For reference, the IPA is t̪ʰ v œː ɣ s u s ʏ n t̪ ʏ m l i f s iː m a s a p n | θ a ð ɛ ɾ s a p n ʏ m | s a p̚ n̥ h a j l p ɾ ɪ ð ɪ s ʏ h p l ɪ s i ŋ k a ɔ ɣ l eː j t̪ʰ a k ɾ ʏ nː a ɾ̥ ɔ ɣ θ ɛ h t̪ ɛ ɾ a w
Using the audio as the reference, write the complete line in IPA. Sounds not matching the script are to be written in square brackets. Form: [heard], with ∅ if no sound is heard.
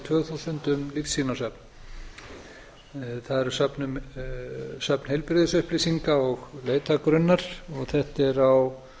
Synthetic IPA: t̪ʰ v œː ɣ [θ] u s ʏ n t̪ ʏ m l i f s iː [n] a s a p n | θ a ð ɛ ɾ s a p n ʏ m | s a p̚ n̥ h [e] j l p ɾ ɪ ð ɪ s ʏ h p l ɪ s i ŋ k a ɔ ɣ l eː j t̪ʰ a k ɾ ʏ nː a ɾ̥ ɔ ɣ θ ɛ h t̪ ɛ ɾ a w